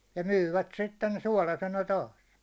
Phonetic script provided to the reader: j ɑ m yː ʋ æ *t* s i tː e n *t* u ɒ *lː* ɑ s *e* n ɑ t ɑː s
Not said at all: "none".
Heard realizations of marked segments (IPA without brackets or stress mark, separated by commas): t, s, l, e